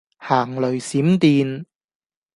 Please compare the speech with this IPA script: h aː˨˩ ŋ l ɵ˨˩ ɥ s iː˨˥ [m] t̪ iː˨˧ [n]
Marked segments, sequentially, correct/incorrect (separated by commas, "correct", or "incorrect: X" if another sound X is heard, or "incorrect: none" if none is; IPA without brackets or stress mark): correct, correct